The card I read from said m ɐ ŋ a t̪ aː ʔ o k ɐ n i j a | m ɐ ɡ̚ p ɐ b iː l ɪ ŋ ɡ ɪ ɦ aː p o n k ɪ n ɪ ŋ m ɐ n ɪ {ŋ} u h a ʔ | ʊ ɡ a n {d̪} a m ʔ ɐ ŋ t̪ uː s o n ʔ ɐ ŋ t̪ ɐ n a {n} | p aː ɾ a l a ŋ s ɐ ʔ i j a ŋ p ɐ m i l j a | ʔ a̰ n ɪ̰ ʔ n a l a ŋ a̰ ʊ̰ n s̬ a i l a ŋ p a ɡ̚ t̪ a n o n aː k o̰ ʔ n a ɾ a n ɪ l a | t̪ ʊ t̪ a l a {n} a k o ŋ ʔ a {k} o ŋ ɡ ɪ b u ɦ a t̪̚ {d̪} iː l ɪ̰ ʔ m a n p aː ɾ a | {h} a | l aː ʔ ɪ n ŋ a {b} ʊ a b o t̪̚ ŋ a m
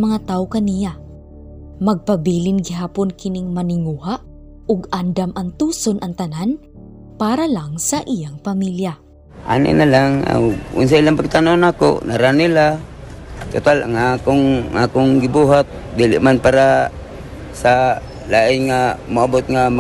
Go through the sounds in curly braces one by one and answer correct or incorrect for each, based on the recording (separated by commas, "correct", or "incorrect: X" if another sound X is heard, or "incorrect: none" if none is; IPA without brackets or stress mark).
correct, correct, correct, incorrect: ŋ, correct, correct, incorrect: s, incorrect: m